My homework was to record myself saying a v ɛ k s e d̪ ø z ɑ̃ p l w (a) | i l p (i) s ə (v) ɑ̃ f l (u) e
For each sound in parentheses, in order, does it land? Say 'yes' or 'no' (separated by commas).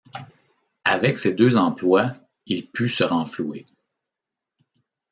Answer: yes, no, no, yes